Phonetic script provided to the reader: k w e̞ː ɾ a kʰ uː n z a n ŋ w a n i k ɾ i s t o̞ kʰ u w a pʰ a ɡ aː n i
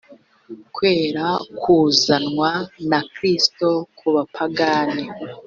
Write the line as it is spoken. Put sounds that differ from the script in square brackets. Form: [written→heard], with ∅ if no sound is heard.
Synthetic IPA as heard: k w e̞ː ɾ a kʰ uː [n→∅] z a n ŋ w a n [i→a] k ɾ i s t o̞ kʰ u [w→β] a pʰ a ɡ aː n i